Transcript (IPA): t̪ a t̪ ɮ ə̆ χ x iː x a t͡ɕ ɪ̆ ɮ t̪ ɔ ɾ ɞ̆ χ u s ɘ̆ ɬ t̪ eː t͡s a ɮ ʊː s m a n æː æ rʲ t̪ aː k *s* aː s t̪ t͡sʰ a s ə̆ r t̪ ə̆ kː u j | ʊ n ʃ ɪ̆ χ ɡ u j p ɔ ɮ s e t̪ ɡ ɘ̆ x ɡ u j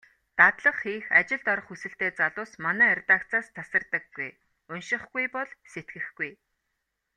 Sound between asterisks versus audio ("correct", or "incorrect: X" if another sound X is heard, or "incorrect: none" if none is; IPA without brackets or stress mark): incorrect: t͡s